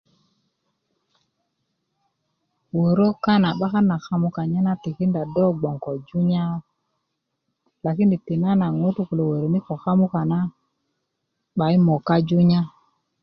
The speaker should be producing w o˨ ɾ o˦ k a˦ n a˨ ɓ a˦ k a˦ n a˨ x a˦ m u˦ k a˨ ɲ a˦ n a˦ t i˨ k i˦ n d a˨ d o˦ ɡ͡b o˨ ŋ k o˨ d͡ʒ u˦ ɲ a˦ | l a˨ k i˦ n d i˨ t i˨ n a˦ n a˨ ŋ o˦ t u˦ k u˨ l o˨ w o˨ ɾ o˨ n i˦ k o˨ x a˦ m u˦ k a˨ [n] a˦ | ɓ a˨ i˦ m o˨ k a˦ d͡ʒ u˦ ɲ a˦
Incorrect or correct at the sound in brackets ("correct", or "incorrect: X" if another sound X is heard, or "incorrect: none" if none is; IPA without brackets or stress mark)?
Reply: correct